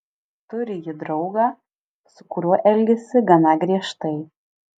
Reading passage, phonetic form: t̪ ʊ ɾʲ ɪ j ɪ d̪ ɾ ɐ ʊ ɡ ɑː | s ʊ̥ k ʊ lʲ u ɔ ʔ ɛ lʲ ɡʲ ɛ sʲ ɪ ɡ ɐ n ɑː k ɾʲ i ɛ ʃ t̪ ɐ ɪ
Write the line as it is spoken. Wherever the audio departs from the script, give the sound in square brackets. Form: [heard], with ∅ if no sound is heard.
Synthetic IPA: t̪ ʊ ɾʲ ɪ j ɪ d̪ ɾ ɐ ʊ ɡ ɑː | s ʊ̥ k ʊ [ɾʲ] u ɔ ʔ ɛ lʲ ɡʲ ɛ sʲ ɪ ɡ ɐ n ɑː [ɡ] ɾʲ i ɛ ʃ t̪ ɐ ɪ